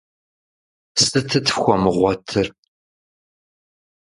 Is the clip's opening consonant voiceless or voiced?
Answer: voiceless